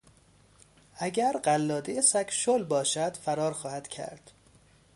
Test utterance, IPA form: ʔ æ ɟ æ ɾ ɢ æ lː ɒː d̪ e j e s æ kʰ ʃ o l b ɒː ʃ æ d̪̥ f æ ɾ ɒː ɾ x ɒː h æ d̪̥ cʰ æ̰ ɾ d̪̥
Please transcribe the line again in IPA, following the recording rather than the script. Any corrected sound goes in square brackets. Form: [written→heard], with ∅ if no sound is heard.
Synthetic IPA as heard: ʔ æ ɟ æ ɾ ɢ æ lː ɒː d̪ e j e s æ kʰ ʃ o l b ɒː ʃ æ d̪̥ f æ ɾ ɒː ɾ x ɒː h æ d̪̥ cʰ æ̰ ɾ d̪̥